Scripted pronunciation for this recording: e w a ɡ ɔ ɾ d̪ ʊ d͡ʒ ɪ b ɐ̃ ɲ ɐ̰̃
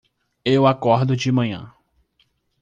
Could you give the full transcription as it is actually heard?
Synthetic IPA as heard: e w a k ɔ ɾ d̪ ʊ d͡ʒ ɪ m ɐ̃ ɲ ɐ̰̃